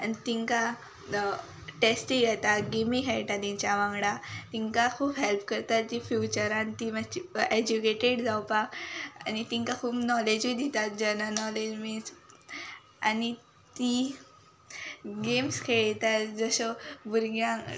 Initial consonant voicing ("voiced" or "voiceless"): voiceless